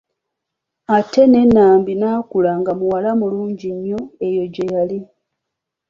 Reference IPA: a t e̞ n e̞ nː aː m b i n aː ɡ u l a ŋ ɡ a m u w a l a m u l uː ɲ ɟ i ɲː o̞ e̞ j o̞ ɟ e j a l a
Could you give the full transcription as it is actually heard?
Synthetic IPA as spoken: a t e̞ n e̞ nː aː m b i n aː k u l a ŋ ɡ a m u w a l a m u l uː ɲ ɟ i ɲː o̞ e̞ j o̞ ɟ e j a l i

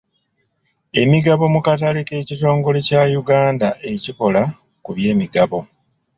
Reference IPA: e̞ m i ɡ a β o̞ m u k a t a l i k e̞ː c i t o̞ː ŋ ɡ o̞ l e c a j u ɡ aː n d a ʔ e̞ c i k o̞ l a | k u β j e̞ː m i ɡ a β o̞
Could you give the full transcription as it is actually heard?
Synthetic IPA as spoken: e̞ m i ɡ a β o̞ m u k a t a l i k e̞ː c i t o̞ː ŋ ɡ o̞ l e c a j u ɡ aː n d a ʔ e̞ c i k o̞ l a | k u β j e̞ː m i ɡ a β o̞

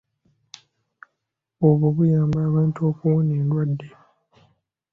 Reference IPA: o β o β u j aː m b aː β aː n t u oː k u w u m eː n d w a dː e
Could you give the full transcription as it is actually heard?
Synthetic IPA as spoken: o β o β u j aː m b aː β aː n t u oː k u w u n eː n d w a dː e

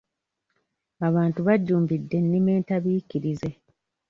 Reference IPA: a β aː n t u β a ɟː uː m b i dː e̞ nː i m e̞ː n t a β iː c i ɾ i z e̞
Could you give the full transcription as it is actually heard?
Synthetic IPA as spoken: a β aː n t u β a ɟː uː m b i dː e̞ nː i m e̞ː n t a β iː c i ɾ i z e̞

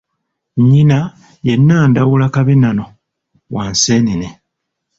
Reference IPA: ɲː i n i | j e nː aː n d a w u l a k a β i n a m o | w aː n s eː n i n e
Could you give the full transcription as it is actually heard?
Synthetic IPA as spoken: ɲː i n a | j e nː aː n d a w u l a k a β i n a n o | w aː n s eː n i n e

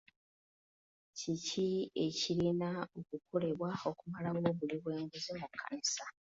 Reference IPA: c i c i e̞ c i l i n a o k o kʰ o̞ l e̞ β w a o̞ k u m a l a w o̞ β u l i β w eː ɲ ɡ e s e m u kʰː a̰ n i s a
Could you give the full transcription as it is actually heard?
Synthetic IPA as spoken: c i c i e̞ c i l i n a o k u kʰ o̞ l e̞ β w a o̞ k u m a l a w o̞ β u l i β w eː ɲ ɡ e z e m u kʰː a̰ n i s a

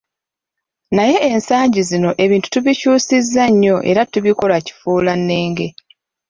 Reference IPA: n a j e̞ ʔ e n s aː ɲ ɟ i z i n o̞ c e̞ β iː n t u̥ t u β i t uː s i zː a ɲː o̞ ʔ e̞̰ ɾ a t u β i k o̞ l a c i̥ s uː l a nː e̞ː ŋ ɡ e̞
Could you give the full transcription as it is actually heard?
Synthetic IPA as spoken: n a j e̞ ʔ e n s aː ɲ ɟ i z i n o̞ ʔ e̞ β iː n t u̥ t u β i c uː s i zː a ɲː o̞ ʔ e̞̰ ɾ a t u β i k o̞ l a c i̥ f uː l a nː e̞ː ŋ ɡ e̞

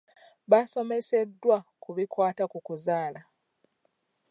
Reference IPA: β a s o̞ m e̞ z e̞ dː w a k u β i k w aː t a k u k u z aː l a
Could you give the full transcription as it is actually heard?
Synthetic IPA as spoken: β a s o̞ m e̞ s e̞ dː w a k u β i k w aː t a k u k u z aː l a

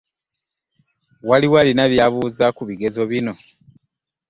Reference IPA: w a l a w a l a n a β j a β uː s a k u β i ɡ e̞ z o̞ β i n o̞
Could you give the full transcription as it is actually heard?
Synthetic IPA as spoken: w a l i w a l i n a β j a β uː z a k u β i ɡ e̞ z o̞ β i n o̞

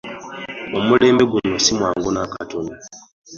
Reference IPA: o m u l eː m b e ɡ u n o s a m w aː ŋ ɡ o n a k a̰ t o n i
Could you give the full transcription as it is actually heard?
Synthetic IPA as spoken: o m u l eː m b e ɡ u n o s i m w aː ŋ ɡ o n a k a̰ t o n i

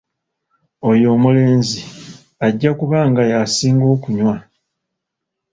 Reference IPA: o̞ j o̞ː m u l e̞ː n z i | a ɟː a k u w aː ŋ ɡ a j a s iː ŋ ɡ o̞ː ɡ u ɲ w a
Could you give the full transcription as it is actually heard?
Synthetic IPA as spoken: o̞ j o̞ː m u l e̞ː n z i | a ɟː a k u β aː ŋ ɡ a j a s iː ŋ ɡ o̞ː k u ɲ w a

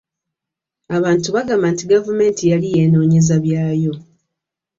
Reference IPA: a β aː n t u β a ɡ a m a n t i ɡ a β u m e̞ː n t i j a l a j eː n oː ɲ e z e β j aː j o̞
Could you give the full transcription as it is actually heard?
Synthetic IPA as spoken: a β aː n t u β a ɡ a m a n t i ɡ a v u m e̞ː n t i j a l i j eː n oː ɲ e z a β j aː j o̞

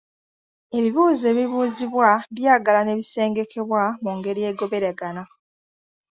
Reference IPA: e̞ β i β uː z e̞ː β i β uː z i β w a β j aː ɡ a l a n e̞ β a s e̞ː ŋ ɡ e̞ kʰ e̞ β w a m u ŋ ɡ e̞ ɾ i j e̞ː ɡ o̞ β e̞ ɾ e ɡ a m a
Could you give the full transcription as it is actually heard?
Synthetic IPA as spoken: e̞ β i β uː z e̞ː β i β uː z i β w a β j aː ɡ a l a n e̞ β i s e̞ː ŋ ɡ e̞ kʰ e̞ β w a m u ŋ ɡ e̞ ɾ i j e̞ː ɡ o̞ β e̞ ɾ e ɡ a n a

